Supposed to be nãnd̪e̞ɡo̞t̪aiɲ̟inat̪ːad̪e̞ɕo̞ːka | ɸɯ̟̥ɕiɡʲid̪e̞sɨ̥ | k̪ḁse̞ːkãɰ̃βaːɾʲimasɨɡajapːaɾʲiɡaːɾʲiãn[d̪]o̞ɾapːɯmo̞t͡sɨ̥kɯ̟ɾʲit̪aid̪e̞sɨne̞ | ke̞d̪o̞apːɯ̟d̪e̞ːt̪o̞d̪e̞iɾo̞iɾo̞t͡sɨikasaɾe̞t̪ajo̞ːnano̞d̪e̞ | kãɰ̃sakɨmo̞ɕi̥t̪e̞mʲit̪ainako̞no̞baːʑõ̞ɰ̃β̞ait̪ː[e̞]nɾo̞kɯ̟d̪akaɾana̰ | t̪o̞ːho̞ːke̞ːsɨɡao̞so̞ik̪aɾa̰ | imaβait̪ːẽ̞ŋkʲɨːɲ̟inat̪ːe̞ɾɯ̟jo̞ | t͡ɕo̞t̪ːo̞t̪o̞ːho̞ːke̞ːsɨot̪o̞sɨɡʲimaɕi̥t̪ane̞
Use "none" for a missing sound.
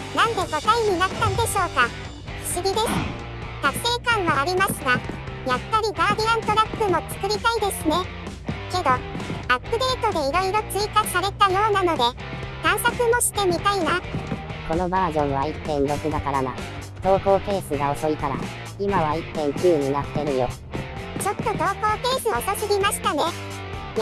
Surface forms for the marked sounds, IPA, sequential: t̪, ẽ̞

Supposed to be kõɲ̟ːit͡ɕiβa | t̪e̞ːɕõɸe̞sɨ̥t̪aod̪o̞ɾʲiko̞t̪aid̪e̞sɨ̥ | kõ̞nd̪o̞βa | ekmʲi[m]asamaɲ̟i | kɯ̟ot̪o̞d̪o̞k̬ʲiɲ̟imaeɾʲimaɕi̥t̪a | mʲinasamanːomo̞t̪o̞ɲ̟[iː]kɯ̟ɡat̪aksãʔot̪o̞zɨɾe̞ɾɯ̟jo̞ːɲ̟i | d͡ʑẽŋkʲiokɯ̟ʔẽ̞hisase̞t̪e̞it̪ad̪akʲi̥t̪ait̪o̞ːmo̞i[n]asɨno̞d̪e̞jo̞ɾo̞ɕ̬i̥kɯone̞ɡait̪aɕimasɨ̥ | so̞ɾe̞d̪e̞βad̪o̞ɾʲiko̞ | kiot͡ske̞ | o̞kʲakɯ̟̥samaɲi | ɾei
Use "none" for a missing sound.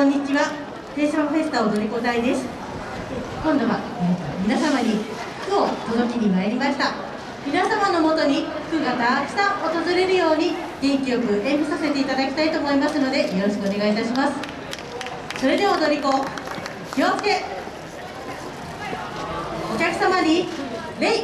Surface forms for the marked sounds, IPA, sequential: n, i, m

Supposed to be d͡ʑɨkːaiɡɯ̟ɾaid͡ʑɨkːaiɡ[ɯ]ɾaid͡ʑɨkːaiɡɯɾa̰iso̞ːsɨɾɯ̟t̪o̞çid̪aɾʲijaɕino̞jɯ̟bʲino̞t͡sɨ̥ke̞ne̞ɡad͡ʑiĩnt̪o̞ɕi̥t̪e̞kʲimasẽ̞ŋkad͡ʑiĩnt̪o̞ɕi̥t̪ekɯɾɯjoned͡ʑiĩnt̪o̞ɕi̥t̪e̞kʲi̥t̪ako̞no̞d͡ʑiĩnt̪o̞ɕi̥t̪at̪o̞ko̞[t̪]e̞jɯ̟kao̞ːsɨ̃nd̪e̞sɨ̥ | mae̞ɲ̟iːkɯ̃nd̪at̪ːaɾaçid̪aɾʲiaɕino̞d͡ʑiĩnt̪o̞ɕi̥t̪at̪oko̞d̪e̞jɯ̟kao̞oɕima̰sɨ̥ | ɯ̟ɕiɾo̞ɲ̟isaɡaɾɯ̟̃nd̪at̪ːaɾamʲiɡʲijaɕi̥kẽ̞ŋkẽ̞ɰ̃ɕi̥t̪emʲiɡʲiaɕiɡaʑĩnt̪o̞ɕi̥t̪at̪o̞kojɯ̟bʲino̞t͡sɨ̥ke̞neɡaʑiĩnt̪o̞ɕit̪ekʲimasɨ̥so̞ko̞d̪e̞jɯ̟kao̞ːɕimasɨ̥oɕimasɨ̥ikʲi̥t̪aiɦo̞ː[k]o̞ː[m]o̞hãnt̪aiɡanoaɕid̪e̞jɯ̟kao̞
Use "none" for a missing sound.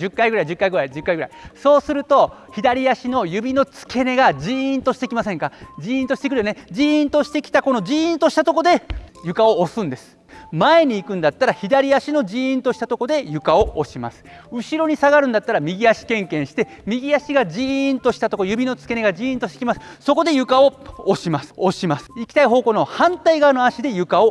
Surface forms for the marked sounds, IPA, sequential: ɯ, d̪, k, n

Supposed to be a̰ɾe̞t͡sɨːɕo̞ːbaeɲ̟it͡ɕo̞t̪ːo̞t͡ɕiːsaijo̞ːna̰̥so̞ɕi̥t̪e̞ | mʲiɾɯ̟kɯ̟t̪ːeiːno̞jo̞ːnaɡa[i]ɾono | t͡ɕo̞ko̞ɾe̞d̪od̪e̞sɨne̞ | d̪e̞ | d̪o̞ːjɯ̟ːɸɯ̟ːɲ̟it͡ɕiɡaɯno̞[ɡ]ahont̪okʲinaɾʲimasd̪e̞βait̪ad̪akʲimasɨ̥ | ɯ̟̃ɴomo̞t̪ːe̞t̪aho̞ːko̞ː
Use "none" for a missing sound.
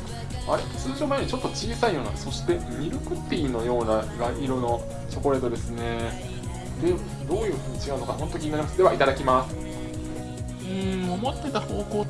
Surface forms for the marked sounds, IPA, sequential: i, k

